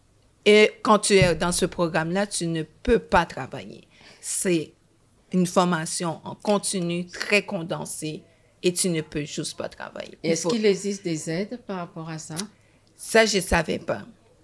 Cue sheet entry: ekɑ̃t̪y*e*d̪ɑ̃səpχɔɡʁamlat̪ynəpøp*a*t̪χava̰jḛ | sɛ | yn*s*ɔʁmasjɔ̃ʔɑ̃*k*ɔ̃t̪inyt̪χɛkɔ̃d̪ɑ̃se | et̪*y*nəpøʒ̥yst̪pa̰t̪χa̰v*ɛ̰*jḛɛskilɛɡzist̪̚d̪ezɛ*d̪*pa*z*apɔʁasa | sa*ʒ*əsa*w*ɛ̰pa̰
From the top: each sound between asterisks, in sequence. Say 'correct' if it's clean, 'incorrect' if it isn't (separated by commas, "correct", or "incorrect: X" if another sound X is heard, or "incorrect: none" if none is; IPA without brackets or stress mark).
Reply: incorrect: ɛ, correct, incorrect: f, correct, correct, incorrect: a̰, correct, incorrect: ʁ, correct, incorrect: v